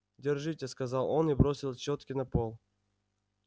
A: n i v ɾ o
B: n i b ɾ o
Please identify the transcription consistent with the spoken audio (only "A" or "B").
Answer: B